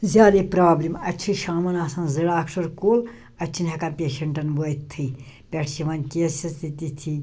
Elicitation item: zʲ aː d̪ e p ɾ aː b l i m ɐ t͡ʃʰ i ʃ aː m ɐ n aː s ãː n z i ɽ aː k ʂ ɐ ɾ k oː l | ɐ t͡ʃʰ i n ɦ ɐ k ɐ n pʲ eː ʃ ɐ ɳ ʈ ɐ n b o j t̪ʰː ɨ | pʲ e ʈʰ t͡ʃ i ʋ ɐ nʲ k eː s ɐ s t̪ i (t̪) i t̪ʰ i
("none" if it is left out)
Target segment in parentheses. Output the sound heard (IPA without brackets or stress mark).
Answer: t̪